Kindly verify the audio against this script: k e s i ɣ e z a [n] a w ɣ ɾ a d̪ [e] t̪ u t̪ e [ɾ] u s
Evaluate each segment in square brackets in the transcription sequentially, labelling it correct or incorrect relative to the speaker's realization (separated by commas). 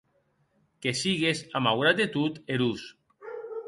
incorrect, correct, correct